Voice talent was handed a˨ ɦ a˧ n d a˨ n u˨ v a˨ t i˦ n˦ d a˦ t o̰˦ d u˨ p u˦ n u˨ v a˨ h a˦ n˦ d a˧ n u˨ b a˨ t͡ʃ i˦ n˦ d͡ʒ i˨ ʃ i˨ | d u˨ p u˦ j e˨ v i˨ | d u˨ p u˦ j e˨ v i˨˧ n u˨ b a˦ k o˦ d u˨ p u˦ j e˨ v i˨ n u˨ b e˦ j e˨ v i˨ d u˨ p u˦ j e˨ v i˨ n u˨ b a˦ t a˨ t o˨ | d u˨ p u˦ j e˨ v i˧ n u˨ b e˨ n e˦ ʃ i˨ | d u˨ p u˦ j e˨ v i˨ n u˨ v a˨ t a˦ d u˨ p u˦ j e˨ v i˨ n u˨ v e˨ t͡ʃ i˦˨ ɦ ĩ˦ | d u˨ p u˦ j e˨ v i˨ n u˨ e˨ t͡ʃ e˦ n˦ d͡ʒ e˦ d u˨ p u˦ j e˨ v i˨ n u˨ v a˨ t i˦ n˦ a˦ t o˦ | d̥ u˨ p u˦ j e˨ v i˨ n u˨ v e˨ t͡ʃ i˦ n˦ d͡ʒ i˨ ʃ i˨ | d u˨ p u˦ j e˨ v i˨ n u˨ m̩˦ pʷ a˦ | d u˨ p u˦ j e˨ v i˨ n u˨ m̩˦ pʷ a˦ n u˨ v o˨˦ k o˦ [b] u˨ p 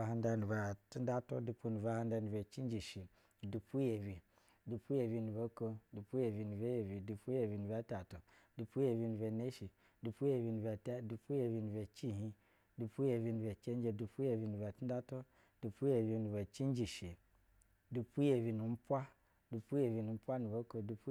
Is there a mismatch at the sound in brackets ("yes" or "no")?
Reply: yes